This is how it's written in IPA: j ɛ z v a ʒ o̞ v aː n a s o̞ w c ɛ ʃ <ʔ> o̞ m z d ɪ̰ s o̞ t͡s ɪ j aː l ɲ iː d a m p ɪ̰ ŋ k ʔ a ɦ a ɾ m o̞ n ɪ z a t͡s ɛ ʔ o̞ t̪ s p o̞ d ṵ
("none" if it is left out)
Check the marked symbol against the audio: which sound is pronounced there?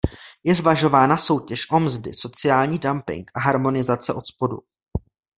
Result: ʔ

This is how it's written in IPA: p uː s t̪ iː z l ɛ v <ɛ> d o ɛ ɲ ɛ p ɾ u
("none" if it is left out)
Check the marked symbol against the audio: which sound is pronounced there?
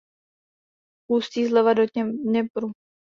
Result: a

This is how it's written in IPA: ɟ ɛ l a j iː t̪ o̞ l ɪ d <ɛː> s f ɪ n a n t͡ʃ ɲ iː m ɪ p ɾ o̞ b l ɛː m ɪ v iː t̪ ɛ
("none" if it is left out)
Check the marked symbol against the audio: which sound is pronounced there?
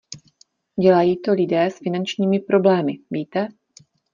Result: ɛː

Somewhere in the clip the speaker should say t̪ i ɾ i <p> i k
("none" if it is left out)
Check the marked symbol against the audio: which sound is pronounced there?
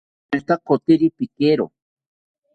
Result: p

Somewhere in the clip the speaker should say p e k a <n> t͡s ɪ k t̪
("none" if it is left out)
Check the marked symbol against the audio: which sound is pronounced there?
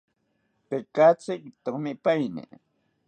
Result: none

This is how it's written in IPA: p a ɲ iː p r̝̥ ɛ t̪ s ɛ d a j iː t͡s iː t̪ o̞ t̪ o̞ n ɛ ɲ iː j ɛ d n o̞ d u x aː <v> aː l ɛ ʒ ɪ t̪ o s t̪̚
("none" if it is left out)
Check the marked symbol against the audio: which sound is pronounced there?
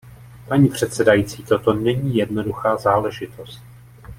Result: z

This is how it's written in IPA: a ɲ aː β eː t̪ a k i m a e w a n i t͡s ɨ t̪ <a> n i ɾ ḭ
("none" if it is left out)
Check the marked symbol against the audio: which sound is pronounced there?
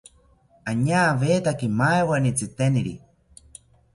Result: e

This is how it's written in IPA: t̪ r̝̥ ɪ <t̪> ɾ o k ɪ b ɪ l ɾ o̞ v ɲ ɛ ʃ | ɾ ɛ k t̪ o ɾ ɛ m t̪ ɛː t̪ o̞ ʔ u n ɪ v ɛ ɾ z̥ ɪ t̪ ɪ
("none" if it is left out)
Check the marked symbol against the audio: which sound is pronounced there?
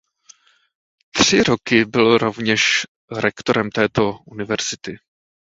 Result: none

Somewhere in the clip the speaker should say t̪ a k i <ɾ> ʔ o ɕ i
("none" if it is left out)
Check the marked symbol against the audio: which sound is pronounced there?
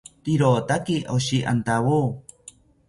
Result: none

